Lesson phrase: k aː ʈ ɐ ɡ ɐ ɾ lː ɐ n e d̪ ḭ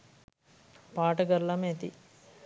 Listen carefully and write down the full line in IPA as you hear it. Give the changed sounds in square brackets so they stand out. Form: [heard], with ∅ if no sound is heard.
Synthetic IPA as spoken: [p] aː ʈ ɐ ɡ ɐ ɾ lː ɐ [m] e [t̪] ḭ